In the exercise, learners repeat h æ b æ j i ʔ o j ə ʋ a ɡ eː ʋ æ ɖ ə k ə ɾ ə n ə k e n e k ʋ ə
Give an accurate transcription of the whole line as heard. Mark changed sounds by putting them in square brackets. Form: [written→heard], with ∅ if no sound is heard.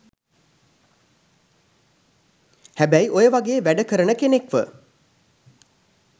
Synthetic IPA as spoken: h æ b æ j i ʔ o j ə ʋ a ɡ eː ʋ æ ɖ ə k ə ɾ ə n ə k e n e k ʋ ə